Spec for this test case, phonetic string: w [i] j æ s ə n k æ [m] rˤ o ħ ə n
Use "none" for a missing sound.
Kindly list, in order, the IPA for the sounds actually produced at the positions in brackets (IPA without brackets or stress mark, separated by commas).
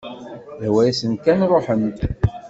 æ, n